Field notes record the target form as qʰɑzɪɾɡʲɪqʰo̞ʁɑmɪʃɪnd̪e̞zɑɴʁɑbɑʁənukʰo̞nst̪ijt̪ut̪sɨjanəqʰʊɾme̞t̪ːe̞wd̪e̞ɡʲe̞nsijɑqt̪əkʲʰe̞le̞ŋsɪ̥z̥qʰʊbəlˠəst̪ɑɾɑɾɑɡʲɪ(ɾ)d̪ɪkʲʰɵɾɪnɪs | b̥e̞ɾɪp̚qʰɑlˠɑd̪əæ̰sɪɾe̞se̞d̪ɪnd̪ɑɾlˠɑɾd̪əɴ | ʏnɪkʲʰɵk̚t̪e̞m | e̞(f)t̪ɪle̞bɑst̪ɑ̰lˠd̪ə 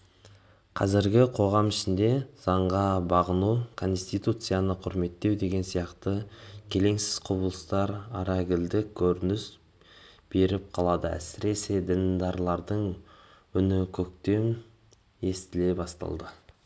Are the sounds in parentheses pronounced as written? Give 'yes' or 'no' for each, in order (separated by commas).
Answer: no, no